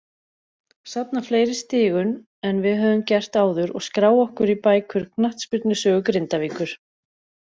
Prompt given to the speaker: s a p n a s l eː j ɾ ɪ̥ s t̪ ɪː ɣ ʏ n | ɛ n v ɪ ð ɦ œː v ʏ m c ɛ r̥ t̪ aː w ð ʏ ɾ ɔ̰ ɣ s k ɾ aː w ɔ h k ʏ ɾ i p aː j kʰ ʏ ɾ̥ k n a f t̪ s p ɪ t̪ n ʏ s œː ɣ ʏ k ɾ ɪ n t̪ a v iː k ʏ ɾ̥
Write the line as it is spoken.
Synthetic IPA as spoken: s a p n a f l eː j ɾ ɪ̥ s t̪ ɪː ɣ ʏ n | ɛ n v ɪ ð ɦ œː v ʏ m c ɛ r̥ t̪ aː w ð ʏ ɾ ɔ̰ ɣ s k ɾ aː w ɔ h k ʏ ɾ i p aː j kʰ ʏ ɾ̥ k n a h t̪ s p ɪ t̪ n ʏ s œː ɣ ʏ k ɾ ɪ n t̪ a v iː k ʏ ɾ̥